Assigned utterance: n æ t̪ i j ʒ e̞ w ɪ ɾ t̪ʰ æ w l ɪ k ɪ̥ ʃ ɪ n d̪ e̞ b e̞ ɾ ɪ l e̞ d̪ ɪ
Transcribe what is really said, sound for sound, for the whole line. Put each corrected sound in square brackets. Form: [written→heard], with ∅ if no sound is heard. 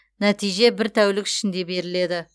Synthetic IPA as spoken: n æ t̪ i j ʒ e̞ [w→b] ɪ ɾ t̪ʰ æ w l ɪ k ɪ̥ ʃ ɪ n d̪ e̞ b e̞ ɾ ɪ l e̞ d̪ ɪ